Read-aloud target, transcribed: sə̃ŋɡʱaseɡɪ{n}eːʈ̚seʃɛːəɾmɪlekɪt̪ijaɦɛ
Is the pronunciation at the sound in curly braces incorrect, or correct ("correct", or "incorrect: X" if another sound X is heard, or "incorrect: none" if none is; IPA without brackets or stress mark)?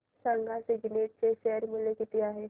correct